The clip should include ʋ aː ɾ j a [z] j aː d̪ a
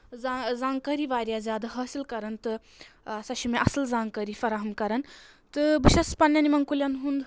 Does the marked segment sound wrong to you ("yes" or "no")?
no